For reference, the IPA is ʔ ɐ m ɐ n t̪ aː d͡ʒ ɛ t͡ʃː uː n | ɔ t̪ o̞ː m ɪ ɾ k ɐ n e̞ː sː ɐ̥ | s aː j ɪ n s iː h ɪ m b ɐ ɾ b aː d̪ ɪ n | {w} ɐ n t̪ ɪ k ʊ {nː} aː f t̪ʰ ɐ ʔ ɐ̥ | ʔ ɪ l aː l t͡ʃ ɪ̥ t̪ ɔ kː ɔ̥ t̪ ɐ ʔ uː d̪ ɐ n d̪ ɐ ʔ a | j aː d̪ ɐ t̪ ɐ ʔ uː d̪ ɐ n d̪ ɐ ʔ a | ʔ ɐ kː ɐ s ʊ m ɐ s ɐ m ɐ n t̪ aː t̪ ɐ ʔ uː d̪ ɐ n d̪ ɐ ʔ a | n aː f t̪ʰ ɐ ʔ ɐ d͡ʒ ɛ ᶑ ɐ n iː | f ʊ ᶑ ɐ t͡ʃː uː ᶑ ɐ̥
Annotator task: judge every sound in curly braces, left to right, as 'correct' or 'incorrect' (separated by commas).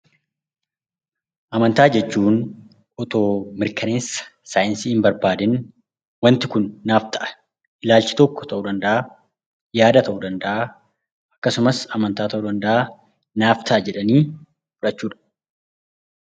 correct, correct